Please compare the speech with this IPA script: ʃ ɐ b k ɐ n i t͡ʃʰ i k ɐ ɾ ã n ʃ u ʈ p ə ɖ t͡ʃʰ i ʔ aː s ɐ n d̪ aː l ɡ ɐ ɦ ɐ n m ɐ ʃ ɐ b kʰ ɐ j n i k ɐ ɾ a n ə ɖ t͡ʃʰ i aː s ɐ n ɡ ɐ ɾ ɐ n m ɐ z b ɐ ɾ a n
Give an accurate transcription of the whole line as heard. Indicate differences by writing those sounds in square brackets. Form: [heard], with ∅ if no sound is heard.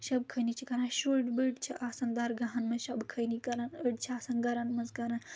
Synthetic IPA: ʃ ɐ b [kʰ] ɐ n i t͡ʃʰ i k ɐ ɾ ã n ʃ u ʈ [b] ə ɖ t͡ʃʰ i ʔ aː s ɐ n d̪ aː [ɾ] ɡ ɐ ɦ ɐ n m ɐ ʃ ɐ b kʰ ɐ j n i k ɐ ɾ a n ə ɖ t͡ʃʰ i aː s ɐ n ɡ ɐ ɾ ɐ n m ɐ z [ɡ] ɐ ɾ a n